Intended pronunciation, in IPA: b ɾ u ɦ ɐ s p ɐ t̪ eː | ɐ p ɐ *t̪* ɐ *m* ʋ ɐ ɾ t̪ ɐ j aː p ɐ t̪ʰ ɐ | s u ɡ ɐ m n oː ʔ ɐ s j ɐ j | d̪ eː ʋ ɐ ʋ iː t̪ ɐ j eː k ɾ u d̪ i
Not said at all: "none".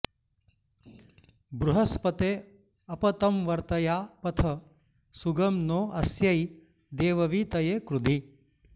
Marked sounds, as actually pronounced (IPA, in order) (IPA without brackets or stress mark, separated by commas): t̪, m